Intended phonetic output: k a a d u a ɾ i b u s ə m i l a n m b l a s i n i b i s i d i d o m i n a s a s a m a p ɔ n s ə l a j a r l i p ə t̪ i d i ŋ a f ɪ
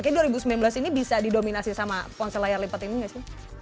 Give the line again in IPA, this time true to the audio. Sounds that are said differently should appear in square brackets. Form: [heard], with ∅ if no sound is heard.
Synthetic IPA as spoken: k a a d u a ɾ i b u s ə m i l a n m b l a s i n i b i s [a] d i d o m i n a s [i] s a m a p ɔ n s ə l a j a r l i p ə t̪ i [n] i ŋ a [s] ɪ